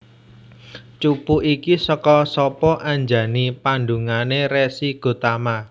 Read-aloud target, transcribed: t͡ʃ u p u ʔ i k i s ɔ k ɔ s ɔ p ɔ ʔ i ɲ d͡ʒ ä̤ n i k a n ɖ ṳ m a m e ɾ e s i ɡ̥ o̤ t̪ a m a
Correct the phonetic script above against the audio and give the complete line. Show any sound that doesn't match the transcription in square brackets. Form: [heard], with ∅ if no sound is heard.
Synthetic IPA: t͡ʃ u p u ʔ i k i s ɔ k ɔ s ɔ p ɔ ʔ [a] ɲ d͡ʒ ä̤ n i [p] a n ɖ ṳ [ŋ] a [n] e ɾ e s i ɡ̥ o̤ t̪ a m a